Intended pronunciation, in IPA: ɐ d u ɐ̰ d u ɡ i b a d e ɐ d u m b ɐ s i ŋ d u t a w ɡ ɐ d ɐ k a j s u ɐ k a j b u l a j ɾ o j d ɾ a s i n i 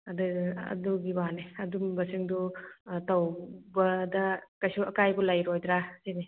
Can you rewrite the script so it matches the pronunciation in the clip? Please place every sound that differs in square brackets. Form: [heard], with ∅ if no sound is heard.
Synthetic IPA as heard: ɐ d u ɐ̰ d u ɡ i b a [n] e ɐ d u m b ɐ s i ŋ d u t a w [b] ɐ d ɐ k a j s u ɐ k a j b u l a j ɾ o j d ɾ a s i n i